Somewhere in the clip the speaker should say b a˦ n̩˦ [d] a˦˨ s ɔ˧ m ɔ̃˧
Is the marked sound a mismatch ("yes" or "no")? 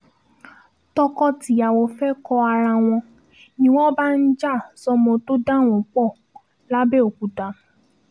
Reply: yes